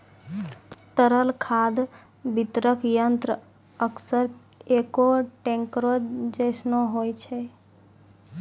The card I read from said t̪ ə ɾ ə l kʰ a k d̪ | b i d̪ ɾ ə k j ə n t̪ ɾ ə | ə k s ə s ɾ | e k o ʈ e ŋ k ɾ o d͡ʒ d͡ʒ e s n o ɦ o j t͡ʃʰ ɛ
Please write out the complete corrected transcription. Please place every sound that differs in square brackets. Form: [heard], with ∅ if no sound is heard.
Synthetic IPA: t̪ ə ɾ ə l kʰ a [∅] d̪ | b i [t̪] ɾ ə k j ə n t̪ ɾ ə | ə k s ə [∅] ɾ | e k o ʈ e ŋ k ɾ o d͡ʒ d͡ʒ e s n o ɦ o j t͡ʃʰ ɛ